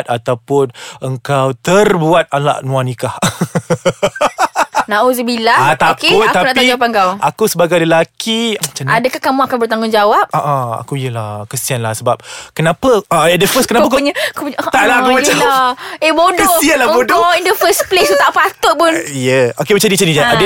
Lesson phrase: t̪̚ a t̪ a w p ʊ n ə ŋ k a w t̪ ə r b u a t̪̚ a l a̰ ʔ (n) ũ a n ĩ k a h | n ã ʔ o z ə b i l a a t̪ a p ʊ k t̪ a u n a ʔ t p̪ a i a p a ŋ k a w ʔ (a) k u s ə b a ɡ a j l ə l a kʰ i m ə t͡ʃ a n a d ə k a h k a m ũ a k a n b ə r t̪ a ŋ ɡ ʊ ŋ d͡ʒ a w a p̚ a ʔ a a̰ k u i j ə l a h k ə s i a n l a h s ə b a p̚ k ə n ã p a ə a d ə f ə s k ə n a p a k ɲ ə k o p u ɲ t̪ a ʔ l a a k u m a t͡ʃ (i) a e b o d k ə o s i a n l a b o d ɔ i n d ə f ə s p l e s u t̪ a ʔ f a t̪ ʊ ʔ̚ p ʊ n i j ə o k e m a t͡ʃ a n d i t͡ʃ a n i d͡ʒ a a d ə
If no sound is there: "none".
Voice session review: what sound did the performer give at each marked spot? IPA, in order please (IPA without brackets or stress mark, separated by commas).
n, a, a